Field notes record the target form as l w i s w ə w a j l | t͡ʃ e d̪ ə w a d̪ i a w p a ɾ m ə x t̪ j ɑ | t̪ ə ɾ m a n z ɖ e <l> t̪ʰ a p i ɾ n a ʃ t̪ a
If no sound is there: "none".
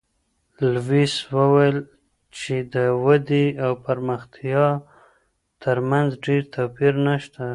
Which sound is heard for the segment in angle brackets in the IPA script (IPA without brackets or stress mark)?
ɾ